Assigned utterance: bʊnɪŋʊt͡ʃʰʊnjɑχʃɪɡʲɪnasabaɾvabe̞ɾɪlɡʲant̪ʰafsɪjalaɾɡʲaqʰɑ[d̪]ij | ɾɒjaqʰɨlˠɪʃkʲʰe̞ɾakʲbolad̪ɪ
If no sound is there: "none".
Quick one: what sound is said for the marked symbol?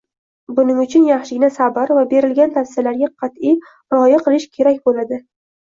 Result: t̪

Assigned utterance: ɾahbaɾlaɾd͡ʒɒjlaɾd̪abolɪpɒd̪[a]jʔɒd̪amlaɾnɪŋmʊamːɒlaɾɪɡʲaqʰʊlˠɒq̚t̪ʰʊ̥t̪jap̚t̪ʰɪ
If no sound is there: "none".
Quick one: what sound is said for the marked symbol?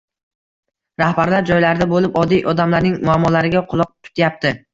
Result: i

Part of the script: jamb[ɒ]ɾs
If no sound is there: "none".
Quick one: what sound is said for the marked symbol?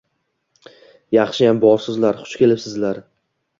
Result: ɒ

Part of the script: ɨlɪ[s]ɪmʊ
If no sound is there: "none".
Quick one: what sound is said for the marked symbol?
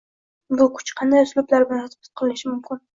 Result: ʃ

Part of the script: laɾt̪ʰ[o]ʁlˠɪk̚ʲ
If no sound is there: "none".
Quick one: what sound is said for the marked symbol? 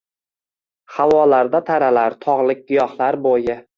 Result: ɒ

